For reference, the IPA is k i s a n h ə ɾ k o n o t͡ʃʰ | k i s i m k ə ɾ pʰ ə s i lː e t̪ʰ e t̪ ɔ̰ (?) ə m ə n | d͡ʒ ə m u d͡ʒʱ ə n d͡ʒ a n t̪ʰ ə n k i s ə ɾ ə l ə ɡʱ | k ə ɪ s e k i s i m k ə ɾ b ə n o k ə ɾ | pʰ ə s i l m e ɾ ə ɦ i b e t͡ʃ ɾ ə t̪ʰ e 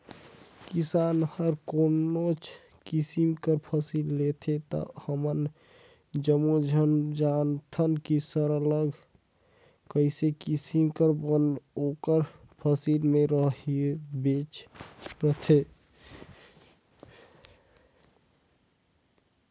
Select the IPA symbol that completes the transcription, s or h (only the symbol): h